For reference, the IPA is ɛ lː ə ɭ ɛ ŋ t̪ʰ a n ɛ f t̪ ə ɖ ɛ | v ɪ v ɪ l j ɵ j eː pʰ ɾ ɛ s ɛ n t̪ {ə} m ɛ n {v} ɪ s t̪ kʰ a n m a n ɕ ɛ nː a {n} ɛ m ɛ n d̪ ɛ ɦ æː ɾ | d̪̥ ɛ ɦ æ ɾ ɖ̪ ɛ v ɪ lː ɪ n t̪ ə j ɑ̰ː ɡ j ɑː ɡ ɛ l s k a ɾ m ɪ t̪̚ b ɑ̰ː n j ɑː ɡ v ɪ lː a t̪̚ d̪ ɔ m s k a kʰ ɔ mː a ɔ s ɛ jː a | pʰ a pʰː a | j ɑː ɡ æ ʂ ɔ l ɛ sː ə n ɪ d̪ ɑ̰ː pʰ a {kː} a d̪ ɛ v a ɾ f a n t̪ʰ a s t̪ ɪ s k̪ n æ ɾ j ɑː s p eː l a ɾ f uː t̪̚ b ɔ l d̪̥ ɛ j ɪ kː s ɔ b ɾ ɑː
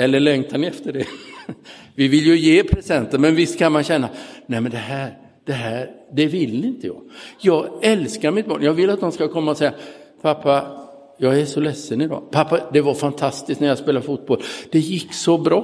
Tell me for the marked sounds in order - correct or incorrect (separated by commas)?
correct, correct, correct, incorrect